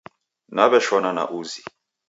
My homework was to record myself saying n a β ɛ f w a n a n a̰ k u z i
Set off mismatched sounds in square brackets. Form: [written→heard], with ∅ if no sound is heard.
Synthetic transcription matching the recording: n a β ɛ [f→ʃ] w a n a n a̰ [k→ʔ] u z i